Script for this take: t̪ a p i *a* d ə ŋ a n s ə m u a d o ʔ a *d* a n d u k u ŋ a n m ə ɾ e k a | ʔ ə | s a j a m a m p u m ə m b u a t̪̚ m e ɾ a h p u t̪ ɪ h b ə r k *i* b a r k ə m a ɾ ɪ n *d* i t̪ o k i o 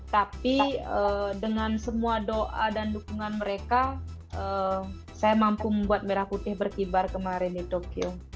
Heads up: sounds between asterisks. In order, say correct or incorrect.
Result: incorrect: ə, correct, correct, correct

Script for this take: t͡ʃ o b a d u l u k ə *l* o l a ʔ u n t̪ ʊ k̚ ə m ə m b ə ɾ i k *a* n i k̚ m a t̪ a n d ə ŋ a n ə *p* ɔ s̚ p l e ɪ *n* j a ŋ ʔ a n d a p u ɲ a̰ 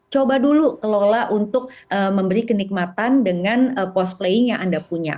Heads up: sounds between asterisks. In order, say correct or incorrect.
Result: correct, incorrect: ə, correct, incorrect: ŋ

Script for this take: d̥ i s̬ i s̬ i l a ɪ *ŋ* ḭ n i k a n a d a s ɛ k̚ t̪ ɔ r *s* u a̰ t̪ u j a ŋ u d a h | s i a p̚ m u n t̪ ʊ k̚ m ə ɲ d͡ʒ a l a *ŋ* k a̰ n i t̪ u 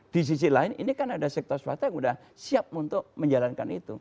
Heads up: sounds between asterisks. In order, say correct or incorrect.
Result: incorrect: n, correct, incorrect: n

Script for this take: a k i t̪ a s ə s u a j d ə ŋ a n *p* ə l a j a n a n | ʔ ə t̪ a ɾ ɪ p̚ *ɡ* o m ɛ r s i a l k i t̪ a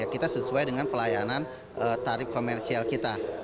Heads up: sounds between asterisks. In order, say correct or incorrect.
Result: correct, incorrect: k

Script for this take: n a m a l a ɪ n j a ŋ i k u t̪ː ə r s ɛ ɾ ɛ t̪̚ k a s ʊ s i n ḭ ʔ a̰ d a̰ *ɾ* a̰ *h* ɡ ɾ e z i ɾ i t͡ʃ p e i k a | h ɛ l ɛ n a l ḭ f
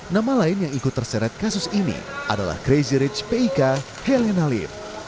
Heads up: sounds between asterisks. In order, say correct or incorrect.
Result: incorrect: l, correct

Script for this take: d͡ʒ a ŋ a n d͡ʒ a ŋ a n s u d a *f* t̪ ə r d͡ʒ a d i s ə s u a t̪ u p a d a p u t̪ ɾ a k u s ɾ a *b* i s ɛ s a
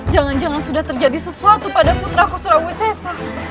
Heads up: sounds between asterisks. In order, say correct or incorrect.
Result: incorrect: h, incorrect: w

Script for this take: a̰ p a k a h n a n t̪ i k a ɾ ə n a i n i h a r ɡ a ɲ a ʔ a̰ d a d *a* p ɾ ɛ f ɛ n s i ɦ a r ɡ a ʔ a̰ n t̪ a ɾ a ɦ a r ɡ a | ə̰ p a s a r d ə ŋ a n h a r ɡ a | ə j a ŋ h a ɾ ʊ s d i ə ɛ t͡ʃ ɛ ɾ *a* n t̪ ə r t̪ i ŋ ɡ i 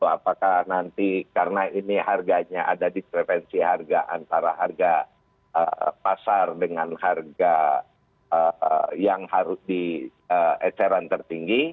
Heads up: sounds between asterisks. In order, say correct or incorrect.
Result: incorrect: i, correct

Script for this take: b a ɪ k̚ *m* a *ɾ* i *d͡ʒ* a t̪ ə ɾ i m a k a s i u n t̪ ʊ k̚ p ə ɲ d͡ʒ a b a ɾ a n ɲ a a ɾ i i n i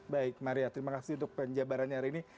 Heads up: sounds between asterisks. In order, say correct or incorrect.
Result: correct, correct, incorrect: none

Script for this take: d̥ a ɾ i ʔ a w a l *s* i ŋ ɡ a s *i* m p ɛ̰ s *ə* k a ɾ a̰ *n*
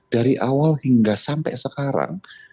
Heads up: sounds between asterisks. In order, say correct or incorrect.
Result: incorrect: h, incorrect: a, correct, incorrect: ŋ

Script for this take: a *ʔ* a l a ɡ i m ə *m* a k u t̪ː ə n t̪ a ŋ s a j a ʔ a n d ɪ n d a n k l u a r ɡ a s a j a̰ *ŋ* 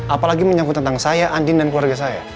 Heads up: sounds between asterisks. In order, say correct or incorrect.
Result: incorrect: p, incorrect: ɲ, incorrect: none

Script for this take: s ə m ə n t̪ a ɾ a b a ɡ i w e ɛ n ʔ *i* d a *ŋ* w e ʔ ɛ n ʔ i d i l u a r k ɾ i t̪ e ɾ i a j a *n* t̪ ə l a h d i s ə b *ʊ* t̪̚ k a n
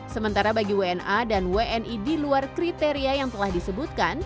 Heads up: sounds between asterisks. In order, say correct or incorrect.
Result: incorrect: a, incorrect: n, incorrect: ŋ, incorrect: u

